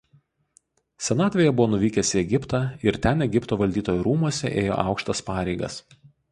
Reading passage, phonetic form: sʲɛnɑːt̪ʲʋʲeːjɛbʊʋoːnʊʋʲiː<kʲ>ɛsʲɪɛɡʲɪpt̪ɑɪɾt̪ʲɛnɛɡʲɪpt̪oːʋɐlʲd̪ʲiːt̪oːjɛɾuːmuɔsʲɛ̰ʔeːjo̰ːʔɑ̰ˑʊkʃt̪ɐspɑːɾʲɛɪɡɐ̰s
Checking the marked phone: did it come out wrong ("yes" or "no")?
no